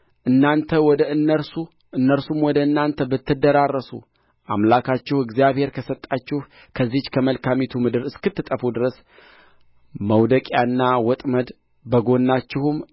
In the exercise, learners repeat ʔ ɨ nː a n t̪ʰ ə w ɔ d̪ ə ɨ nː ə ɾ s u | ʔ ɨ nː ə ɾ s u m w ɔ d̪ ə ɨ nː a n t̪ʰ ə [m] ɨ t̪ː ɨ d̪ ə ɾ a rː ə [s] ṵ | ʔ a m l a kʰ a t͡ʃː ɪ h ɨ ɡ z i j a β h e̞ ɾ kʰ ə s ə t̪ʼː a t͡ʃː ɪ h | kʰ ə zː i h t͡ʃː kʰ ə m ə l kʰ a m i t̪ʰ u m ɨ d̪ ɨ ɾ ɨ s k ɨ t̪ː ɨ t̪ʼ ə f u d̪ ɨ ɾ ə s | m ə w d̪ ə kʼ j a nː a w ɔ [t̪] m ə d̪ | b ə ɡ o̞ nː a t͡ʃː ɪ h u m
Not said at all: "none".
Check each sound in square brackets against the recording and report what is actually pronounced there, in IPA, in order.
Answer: b, s, t̪ʼ

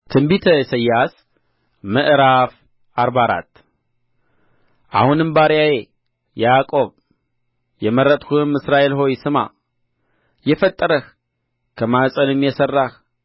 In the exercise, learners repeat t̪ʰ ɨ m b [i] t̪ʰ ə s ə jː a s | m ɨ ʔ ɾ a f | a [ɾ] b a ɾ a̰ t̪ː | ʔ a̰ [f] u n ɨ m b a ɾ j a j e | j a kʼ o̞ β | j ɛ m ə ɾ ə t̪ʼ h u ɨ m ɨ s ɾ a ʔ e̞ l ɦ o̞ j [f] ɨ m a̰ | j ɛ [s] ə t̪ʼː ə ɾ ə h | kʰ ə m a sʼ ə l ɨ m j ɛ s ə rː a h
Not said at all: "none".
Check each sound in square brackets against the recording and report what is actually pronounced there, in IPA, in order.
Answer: i, ɾ, h, s, f

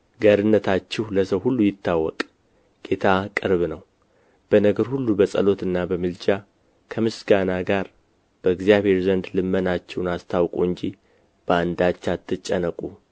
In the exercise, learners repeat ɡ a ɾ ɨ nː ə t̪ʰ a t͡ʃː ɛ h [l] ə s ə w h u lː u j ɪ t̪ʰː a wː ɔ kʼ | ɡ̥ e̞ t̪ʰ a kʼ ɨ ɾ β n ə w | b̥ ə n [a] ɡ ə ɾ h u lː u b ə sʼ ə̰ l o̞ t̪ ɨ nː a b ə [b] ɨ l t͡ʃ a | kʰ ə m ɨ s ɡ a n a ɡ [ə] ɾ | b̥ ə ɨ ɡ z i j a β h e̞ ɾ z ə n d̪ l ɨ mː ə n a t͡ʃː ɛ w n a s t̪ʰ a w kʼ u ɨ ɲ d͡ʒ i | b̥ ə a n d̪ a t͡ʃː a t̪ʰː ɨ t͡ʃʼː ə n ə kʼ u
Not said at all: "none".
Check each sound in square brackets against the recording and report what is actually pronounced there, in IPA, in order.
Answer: l, ə, m, a

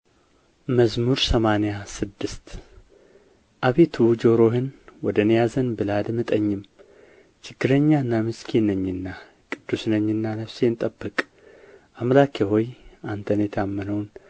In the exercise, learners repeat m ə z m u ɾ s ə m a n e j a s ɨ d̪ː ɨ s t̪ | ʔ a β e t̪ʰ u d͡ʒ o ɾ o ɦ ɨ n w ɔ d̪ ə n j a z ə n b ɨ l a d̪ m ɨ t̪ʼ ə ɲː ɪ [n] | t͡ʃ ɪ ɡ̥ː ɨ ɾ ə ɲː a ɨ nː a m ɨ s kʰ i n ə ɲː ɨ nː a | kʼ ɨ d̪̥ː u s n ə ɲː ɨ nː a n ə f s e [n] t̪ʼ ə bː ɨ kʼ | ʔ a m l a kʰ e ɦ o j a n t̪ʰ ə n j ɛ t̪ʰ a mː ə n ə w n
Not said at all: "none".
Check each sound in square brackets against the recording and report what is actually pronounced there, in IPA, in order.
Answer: m, n

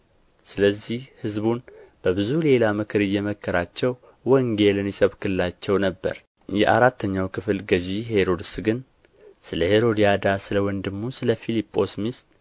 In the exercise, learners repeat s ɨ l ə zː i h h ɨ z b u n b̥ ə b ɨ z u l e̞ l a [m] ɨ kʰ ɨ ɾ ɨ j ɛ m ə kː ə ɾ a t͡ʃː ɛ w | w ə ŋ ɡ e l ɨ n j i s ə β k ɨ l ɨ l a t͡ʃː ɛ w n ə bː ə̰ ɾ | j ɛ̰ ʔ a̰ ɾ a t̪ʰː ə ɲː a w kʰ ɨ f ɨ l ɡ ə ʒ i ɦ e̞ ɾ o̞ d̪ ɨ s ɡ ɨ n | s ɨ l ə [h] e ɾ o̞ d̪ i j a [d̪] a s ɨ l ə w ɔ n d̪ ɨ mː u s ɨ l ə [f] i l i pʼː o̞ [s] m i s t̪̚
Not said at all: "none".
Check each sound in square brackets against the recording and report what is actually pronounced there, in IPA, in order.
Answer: m, h, d̪, f, s

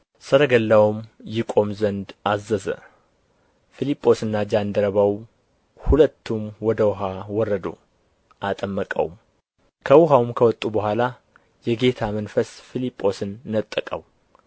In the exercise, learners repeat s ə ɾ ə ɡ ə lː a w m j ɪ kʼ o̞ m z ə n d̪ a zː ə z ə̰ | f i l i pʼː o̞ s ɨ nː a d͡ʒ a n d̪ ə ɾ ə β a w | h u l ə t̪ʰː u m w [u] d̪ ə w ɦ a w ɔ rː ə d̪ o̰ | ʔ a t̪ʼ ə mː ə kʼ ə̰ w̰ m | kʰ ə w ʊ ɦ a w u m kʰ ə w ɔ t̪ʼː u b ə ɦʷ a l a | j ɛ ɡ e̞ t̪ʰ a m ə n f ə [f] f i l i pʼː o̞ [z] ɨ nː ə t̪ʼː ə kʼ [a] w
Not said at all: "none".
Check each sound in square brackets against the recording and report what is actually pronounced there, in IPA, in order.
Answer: ɔ, s, s, ə

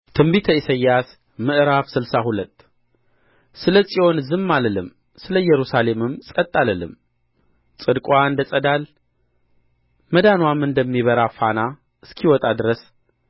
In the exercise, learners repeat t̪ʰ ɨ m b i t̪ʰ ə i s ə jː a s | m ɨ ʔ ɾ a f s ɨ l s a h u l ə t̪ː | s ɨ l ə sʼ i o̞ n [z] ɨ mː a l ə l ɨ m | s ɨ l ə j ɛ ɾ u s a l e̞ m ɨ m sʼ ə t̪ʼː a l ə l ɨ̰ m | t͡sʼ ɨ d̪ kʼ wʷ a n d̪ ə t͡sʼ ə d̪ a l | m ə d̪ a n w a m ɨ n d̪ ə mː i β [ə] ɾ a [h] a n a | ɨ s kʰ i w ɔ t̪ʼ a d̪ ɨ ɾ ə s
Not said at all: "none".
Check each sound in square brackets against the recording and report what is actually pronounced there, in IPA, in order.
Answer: z, ə, f

